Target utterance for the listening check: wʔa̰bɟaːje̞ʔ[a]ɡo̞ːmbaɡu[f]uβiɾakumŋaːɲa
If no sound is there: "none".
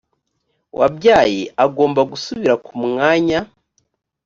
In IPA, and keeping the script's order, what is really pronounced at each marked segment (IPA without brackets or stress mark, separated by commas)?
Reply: a, s